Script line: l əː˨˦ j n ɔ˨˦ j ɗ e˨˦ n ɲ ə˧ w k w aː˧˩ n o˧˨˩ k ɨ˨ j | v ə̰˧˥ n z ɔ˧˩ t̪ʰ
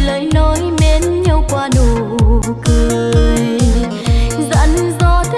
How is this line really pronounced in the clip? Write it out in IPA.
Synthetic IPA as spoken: l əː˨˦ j n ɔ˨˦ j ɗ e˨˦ n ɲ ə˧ w k w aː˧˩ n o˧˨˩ k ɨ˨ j | z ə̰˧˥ n z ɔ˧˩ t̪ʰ